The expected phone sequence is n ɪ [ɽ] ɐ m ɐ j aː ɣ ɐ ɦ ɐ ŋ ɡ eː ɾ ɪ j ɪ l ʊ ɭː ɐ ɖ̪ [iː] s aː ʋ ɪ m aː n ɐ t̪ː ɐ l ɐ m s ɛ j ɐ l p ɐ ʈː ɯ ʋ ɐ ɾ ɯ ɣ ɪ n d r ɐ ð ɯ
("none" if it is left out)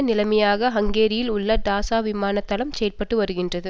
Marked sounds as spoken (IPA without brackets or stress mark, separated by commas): l, aː